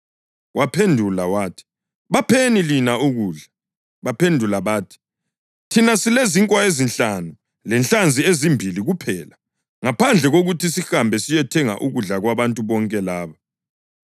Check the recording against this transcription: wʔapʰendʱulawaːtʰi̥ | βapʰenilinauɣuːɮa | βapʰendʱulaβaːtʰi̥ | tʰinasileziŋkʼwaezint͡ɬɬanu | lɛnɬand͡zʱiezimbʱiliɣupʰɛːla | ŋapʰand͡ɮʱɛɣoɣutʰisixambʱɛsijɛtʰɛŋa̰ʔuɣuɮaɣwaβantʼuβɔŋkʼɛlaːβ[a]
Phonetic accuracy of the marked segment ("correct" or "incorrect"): correct